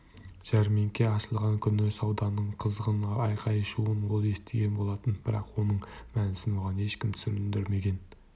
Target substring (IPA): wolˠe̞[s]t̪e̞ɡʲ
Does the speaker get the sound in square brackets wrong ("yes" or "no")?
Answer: no